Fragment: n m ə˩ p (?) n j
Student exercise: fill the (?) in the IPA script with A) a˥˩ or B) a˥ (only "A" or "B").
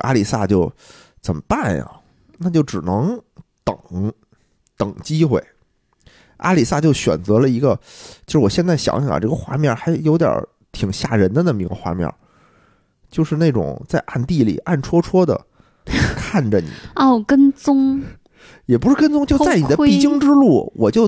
A